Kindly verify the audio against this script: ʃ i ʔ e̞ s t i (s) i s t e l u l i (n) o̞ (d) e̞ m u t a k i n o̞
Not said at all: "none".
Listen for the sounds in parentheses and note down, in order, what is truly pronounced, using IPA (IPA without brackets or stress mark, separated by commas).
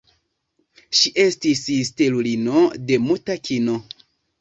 s, n, d